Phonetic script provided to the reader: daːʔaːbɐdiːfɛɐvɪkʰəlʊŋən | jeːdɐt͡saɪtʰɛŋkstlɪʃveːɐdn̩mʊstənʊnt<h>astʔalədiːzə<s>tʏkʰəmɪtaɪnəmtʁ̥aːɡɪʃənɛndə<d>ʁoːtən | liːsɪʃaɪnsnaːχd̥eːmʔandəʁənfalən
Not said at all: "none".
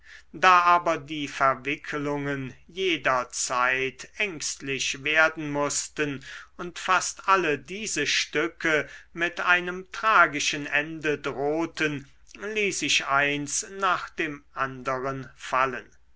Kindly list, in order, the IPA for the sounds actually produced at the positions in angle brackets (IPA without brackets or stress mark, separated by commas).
f, ʃ, d